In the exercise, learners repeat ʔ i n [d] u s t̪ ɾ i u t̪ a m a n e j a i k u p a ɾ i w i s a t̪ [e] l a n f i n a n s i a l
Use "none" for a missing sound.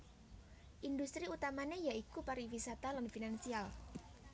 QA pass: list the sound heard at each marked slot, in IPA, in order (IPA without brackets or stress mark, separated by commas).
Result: d, a